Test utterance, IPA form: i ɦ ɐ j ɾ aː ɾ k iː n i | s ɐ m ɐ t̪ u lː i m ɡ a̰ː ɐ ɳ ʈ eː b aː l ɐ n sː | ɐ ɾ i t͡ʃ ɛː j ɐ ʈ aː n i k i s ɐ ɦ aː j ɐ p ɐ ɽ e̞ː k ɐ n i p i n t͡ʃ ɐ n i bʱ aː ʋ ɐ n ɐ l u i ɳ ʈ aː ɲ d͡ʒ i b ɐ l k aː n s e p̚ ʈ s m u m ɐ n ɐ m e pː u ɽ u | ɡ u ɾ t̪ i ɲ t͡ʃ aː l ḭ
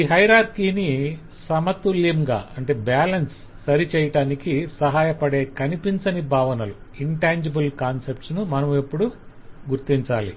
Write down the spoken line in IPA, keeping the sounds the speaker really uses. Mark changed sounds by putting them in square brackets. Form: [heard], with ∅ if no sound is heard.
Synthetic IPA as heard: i ɦ ɐ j ɾ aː ɾ k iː n i | s ɐ m ɐ t̪ u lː i m ɡ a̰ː ɐ ɳ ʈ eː b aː l ɐ n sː | ɐ ɾ i t͡ʃ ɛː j ɐ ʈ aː n i k i s ɐ ɦ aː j ɐ p ɐ ɽ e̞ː k ɐ n i p i n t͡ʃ ɐ n i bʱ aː ʋ ɐ n ɐ l u i ɳ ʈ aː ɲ d͡ʒ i b ɐ l k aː n s e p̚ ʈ s [n] u m ɐ n ɐ m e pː u ɽ u | ɡ u ɾ t̪ i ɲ t͡ʃ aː l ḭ